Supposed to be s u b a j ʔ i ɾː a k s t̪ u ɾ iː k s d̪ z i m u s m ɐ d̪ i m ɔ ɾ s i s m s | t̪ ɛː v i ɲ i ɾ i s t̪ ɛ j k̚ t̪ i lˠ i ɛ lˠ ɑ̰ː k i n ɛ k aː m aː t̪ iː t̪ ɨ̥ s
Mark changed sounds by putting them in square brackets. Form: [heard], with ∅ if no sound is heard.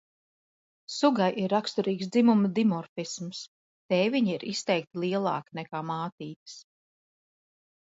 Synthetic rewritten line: s u [ɡ] a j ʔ i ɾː a k s t̪ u ɾ iː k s d̪ z i m u [∅] m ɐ d̪ i m ɔ ɾ [f] i s m s | t̪ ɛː v i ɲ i ɾ i s t̪ ɛ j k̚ t̪ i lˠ i ɛ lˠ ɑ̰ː k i n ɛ k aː m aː t̪ iː t̪ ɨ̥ s